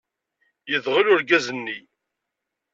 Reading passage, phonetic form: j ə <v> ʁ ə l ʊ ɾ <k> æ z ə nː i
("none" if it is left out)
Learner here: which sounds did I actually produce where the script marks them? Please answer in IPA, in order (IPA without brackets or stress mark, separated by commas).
ð, ɡ